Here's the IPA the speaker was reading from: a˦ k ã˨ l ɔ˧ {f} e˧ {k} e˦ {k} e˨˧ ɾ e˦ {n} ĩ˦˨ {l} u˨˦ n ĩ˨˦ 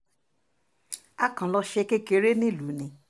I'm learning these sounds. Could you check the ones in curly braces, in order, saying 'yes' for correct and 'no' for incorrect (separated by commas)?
no, yes, yes, yes, yes